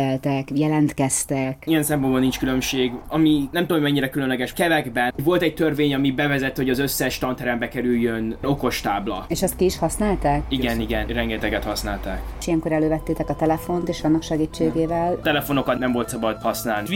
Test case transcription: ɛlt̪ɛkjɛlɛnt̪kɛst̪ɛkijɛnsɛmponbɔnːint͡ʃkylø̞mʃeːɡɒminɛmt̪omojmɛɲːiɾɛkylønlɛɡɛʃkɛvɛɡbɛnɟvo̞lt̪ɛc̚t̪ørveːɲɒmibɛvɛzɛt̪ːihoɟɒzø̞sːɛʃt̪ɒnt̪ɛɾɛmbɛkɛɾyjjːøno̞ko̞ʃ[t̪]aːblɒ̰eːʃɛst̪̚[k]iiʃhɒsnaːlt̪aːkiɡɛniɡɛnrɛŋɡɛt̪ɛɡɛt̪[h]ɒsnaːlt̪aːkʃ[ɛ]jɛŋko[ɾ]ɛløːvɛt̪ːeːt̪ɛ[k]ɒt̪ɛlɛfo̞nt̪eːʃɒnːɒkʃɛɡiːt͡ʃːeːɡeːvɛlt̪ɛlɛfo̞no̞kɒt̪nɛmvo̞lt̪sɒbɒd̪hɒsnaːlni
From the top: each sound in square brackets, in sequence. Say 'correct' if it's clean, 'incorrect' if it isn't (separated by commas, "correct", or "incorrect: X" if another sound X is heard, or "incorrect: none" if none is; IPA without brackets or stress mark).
correct, correct, correct, incorrect: i, correct, correct